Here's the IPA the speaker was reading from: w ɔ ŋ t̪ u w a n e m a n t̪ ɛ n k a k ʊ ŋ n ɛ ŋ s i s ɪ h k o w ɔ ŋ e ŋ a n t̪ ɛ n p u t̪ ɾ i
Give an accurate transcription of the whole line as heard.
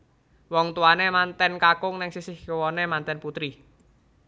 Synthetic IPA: w ɔ ŋ t̪ u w a n e m a n t̪ ɛ n k a k ʊ ŋ n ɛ ŋ s i s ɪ h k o w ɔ n e m a n t̪ ɛ n p u t̪ ɾ i